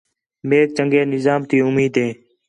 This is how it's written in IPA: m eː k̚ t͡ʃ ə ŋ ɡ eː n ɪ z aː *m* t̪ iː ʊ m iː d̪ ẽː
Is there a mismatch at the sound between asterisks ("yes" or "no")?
no